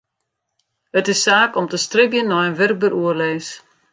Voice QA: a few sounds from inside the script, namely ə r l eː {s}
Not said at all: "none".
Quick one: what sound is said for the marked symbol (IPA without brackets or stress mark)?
s